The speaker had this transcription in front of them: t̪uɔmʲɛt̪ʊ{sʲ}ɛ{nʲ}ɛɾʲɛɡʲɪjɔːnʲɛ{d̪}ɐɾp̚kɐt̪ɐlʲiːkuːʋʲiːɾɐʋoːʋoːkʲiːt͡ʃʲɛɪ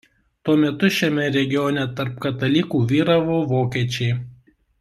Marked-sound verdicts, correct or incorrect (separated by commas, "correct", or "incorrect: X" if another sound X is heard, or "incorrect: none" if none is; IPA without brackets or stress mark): incorrect: ʃʲ, incorrect: mʲ, incorrect: t̪